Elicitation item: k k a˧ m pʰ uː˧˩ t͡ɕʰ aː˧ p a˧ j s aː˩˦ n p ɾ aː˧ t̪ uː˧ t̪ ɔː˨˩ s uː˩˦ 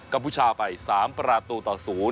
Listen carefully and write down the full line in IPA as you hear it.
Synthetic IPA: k k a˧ m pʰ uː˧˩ t͡ɕʰ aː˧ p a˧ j s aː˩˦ m p ɾ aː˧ t̪ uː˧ t̪ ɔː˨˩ s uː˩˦